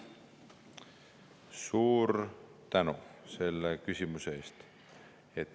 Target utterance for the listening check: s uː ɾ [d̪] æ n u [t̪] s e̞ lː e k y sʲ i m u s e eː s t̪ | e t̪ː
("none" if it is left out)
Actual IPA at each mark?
t̪, none

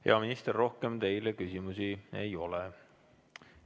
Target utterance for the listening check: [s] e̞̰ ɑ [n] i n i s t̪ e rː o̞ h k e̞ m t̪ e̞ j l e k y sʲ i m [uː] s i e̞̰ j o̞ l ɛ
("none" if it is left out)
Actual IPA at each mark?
h, m, u

